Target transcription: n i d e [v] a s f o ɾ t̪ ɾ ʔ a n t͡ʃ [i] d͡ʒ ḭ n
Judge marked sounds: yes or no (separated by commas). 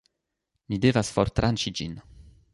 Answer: yes, yes